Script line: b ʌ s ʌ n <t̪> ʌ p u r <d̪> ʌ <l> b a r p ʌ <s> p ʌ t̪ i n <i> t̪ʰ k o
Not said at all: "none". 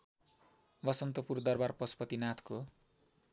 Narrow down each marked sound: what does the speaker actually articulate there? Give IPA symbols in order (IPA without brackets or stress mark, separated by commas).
t̪, d̪, r, s, a